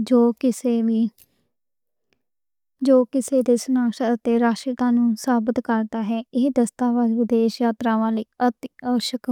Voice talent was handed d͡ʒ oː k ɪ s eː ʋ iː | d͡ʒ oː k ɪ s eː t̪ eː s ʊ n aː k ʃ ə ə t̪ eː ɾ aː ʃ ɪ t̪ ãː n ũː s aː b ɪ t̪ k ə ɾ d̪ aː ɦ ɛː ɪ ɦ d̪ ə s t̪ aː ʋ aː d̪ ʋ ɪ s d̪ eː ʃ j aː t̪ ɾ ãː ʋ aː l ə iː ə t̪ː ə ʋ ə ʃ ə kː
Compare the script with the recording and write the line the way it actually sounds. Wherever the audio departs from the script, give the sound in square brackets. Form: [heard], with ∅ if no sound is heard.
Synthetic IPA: d͡ʒ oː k ɪ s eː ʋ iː | d͡ʒ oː k ɪ s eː [d̪] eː s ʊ n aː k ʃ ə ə t̪ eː ɾ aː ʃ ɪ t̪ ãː n ũː s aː b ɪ t̪ k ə ɾ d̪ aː ɦ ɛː ɪ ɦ d̪ ə s t̪ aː ʋ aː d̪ ʋ ɪ [∅] d̪ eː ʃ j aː t̪ ɾ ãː ʋ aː l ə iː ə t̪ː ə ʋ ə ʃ ə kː